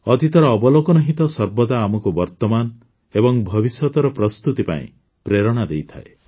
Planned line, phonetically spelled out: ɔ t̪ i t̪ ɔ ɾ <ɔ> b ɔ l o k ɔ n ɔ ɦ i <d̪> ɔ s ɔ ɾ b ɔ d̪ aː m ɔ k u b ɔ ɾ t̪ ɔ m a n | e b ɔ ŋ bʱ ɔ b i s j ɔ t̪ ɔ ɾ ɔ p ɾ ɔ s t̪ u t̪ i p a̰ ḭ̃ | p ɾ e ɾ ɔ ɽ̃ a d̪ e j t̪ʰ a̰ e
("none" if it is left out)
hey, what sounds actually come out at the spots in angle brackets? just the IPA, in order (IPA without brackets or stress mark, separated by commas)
ɔː, t̪